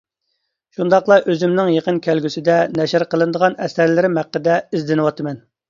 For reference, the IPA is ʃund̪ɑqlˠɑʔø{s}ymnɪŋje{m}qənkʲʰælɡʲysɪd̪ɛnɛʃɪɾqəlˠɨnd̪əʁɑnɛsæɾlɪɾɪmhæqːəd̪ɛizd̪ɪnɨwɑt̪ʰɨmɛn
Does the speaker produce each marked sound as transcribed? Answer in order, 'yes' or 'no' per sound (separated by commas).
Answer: no, no